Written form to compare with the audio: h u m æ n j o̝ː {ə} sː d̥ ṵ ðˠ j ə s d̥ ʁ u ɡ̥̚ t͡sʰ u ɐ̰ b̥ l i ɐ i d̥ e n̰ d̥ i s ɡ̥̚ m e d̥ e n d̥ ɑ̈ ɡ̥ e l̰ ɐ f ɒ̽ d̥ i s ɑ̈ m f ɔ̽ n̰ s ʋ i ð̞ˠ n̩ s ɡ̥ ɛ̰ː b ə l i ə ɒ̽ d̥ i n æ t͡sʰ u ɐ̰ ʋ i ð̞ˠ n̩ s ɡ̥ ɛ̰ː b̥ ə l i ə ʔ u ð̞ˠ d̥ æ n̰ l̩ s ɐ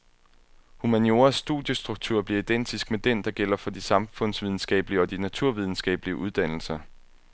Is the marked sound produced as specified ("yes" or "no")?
no